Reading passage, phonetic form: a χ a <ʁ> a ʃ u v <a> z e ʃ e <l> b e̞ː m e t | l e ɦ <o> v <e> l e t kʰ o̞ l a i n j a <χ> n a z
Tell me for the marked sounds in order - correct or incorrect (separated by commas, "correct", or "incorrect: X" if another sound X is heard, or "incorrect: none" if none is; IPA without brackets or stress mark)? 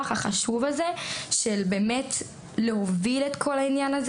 incorrect: χ, correct, correct, correct, incorrect: i, incorrect: none